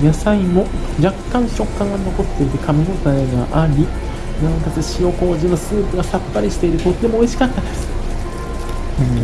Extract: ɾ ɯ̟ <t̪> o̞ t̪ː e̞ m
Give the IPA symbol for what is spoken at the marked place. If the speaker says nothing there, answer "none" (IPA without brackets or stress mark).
t̪